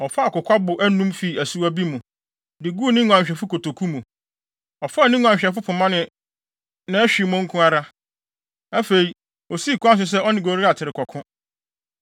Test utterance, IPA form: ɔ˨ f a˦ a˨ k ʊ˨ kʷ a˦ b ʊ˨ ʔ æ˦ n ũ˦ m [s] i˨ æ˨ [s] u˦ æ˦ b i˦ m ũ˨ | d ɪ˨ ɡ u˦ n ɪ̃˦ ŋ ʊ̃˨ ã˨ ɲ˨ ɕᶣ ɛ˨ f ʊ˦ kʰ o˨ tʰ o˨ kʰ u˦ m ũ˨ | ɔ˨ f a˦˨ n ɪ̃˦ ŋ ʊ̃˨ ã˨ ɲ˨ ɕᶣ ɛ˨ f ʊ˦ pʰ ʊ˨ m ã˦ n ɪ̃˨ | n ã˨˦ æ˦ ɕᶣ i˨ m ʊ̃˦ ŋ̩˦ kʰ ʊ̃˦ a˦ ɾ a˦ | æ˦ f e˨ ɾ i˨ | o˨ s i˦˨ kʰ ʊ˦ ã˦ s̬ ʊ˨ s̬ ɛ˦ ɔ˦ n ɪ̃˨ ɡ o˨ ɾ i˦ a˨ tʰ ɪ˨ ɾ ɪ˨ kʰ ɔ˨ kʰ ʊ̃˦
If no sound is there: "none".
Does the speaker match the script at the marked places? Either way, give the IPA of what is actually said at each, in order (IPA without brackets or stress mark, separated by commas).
f, s